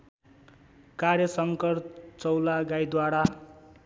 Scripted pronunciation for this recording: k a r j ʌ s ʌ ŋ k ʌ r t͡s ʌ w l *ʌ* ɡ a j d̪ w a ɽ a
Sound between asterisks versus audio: incorrect: a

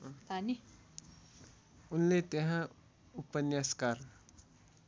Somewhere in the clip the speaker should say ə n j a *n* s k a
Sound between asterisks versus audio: incorrect: none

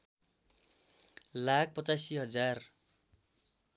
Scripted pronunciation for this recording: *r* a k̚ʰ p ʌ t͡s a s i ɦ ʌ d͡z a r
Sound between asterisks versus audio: incorrect: l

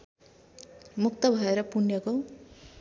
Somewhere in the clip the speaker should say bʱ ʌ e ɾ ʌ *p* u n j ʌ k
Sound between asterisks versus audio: correct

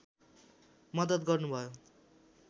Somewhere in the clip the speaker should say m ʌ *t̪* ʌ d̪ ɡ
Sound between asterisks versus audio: incorrect: d̪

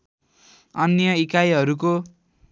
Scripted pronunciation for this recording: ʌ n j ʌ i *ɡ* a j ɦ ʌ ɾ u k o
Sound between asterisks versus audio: incorrect: k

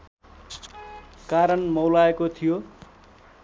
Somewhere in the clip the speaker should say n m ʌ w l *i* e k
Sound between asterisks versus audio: incorrect: a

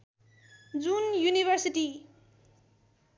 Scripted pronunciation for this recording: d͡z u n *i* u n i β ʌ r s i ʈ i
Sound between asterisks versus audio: incorrect: j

